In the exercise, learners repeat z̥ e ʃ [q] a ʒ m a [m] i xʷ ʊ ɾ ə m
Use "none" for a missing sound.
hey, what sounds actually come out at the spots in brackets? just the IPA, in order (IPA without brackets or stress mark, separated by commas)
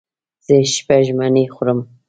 p, n